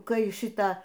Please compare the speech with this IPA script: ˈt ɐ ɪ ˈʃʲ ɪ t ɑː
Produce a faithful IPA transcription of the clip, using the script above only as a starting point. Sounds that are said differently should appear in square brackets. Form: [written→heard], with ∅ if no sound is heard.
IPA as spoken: [ˈt→ˈk] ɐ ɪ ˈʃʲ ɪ t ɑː